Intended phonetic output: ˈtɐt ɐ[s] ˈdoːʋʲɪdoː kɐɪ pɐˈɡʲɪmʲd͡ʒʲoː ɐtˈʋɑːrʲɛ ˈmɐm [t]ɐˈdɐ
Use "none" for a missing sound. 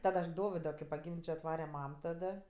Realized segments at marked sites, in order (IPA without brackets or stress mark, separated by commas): ʃ, t